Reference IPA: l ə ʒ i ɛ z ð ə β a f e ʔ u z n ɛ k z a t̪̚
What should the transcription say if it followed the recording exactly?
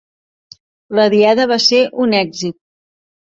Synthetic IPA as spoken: l ə ð i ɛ ð ə β a s e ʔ u n ɛ ɡ z i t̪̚